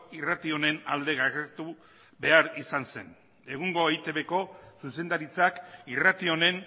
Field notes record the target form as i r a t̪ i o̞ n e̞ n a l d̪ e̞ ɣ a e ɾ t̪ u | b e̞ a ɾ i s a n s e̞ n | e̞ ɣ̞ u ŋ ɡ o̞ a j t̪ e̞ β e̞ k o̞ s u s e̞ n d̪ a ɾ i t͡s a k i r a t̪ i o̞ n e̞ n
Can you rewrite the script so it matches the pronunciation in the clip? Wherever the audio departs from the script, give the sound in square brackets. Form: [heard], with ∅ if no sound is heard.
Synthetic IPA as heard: i r a t̪ i o̞ n e̞ n a l d̪ e̞ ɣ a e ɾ t̪ u | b e̞ a ɾ i s a n s e̞ n | e̞ ɣ̞ u ŋ ɡ o̞ [e] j t̪ e̞ β e̞ k o̞ s u s e̞ n d̪ a ɾ i t͡s a k i r a t̪ i o̞ n e̞ n